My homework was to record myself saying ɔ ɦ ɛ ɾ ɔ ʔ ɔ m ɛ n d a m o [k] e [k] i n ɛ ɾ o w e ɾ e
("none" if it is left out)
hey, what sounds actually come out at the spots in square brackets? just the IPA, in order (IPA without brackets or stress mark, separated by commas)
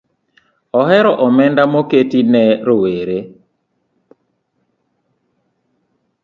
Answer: k, t